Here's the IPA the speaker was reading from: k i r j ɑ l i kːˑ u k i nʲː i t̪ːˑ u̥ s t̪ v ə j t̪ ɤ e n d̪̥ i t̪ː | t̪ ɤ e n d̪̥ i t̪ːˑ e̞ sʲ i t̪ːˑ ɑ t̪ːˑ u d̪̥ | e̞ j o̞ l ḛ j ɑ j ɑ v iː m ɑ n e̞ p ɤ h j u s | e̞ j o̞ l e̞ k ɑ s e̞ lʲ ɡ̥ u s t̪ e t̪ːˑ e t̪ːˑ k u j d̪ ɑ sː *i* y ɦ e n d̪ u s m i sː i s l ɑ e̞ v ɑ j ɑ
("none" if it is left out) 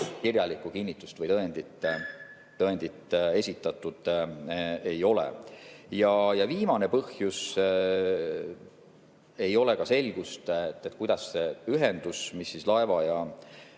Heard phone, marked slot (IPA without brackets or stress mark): e